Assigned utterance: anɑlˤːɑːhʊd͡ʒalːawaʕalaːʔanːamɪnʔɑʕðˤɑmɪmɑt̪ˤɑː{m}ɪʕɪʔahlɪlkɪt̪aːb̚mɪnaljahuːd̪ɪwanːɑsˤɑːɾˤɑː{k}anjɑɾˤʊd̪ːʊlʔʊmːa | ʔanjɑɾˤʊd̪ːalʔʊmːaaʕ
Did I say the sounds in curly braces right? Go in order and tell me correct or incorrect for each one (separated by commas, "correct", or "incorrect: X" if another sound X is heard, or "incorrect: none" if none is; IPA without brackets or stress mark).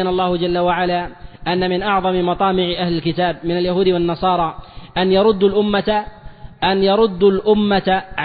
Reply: correct, incorrect: ʔ